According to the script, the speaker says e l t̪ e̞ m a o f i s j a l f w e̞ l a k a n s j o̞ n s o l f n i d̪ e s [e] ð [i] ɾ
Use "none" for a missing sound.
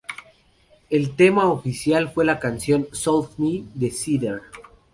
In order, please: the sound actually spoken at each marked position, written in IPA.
i, e

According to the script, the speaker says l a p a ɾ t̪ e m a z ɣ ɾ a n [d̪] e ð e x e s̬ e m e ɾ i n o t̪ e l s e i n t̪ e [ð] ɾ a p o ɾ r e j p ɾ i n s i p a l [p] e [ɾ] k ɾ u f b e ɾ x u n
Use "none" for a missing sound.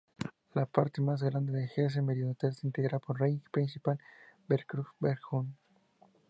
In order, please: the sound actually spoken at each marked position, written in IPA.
d̪, ɣ, b, ɾ

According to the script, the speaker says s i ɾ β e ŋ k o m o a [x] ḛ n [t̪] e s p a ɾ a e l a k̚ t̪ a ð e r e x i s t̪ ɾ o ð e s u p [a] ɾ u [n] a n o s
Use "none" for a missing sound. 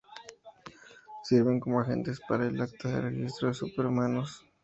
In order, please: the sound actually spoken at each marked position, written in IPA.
x, t̪, e, m

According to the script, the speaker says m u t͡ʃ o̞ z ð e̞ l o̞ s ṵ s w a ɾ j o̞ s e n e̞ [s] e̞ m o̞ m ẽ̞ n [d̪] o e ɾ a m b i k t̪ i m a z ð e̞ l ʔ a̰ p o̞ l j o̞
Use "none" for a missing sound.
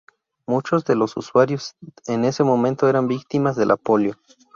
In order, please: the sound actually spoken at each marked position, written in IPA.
s, t̪

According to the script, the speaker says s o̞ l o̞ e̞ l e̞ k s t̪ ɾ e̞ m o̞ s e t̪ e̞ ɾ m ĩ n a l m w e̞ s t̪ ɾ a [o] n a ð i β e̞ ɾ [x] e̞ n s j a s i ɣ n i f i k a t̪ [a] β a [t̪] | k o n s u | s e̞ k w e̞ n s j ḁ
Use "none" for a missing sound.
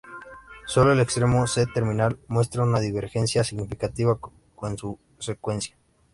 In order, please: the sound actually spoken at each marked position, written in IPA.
u, x, i, none

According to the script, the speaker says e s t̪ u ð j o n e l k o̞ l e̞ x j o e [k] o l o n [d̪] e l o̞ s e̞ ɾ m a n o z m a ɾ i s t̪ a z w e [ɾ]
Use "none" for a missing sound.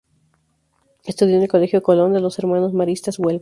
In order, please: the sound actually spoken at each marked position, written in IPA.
k, d̪, l

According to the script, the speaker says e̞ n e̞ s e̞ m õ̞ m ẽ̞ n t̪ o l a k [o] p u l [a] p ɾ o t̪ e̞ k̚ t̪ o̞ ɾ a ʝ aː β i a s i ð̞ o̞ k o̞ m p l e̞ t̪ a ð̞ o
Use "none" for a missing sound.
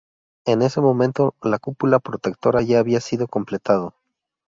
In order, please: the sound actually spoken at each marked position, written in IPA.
u, a

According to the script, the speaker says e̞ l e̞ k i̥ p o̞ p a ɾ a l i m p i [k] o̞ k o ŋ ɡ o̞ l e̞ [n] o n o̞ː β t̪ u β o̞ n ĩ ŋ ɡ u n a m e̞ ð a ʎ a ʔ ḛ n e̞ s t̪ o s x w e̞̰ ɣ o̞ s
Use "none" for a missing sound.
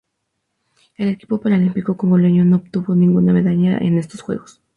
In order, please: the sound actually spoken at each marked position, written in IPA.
k, ɲ

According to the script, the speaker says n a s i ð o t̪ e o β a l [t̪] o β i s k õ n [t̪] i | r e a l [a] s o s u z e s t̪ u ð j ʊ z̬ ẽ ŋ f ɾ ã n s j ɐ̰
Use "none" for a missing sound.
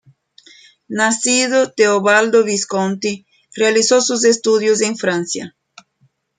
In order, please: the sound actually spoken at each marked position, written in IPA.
d̪, t̪, i

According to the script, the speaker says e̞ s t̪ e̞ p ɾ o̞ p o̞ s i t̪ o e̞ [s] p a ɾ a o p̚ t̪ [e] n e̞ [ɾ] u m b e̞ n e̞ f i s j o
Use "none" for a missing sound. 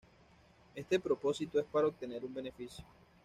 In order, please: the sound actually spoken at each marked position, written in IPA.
s, e, ɾ

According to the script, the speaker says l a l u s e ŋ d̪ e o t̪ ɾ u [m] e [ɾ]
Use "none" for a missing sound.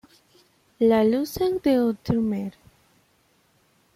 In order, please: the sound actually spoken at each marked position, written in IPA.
m, ɾ

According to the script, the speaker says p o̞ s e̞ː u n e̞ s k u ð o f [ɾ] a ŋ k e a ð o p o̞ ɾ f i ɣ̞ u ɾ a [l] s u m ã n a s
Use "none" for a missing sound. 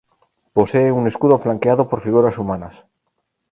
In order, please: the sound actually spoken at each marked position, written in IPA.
l, none

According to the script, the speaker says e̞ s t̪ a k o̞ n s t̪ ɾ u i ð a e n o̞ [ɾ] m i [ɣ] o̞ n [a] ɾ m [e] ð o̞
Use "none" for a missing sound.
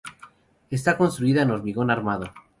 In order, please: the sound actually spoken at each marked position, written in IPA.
ɾ, ɣ, a, a

